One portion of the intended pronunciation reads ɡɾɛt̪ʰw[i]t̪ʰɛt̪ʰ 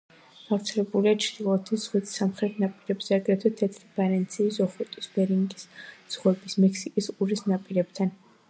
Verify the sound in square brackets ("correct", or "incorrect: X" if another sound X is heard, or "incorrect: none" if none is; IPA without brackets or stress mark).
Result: incorrect: ɛ